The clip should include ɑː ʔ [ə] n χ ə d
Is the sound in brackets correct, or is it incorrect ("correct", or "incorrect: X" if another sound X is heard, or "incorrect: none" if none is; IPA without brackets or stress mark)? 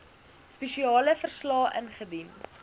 correct